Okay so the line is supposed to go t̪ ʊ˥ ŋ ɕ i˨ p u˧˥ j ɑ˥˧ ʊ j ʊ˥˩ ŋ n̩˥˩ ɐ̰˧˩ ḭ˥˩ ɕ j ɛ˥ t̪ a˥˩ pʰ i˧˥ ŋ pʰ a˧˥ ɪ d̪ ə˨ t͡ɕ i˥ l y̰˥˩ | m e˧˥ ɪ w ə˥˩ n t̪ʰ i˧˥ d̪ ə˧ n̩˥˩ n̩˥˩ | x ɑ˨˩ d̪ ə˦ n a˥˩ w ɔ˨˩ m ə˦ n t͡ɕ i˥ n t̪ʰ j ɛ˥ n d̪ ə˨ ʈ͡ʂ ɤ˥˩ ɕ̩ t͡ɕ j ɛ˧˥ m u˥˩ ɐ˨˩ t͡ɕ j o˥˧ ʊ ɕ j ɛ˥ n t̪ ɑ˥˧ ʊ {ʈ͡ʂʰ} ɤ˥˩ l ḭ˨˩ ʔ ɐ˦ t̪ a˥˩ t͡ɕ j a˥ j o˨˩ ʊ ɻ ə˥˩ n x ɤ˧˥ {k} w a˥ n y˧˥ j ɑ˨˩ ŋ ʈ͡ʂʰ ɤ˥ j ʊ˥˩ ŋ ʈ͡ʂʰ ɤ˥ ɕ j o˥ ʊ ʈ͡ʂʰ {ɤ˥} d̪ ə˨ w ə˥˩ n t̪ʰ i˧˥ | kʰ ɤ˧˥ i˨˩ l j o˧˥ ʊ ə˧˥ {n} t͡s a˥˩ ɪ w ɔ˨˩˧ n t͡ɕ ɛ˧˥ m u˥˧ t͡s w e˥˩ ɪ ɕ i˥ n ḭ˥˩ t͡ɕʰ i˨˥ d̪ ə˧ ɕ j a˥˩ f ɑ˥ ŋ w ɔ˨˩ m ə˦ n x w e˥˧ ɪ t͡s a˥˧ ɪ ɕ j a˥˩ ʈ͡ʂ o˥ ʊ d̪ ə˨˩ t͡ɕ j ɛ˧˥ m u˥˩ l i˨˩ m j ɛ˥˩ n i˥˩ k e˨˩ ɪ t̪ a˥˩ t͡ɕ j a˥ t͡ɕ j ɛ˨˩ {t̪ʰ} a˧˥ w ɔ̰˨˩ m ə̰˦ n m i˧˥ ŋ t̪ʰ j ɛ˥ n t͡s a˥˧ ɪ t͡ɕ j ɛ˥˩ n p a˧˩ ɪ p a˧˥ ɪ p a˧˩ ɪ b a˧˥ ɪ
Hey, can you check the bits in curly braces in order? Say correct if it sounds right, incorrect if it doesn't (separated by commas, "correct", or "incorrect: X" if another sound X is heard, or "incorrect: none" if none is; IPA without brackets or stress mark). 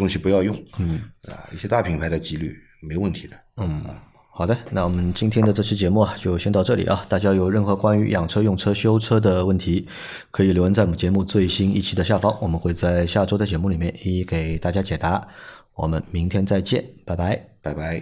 incorrect: ʈ͡ʂ, correct, correct, correct, incorrect: t̪